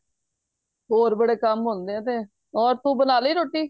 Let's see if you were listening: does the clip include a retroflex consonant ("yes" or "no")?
yes